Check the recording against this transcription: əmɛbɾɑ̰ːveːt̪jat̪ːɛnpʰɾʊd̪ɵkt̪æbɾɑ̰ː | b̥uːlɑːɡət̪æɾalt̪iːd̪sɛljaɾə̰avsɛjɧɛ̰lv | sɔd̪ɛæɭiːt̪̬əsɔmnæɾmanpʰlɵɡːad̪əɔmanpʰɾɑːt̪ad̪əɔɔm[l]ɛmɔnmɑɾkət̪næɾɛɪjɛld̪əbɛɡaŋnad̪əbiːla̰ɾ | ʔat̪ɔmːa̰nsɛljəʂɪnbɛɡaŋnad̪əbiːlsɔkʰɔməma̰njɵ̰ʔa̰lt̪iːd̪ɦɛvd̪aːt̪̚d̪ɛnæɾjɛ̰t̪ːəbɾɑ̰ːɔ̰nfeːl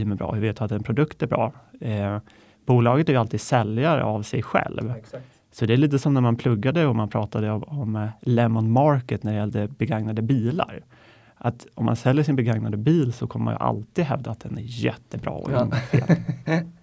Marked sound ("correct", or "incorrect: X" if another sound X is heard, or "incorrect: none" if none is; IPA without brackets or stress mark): correct